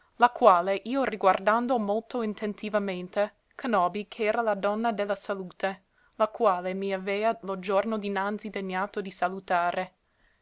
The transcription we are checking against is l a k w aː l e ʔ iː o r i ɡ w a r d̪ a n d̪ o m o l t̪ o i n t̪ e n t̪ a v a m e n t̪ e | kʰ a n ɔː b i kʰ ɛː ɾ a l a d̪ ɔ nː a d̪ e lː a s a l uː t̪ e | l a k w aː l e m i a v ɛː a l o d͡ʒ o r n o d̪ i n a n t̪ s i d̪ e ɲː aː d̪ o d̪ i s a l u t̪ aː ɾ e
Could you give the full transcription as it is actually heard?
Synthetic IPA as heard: l a k w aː l e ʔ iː o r i ɡ w a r d̪ a n d̪ o m o l t̪ o i n t̪ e n t̪ i v a m e n t̪ e | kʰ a n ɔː b i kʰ ɛː ɾ a l a d̪ ɔ nː a d̪ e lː a s a l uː t̪ e | l a k w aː l e m i a v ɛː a l o d͡ʒ o r n o d̪ i n a n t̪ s i d̪ e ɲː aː t̪ o d̪ i s a l u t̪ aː ɾ e